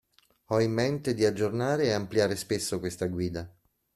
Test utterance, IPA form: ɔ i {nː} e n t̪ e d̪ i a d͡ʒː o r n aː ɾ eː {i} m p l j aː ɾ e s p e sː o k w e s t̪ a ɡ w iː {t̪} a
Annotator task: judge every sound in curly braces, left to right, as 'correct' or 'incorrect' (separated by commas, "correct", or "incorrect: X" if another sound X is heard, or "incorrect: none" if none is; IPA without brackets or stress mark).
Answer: incorrect: mː, incorrect: a, incorrect: d̪